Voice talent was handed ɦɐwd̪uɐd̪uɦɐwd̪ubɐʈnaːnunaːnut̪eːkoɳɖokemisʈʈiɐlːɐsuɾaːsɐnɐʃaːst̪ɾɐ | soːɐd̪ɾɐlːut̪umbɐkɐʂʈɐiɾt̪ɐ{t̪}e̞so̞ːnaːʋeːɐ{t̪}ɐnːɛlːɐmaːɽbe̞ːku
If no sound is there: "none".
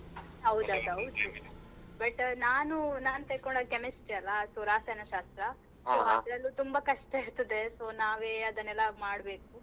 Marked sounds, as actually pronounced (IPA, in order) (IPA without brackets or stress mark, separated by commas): d̪, d̪